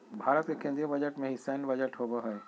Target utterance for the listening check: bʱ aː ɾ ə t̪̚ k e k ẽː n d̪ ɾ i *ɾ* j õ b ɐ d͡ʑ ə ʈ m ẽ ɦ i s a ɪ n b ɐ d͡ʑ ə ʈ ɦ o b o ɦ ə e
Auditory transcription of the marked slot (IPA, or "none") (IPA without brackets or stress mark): none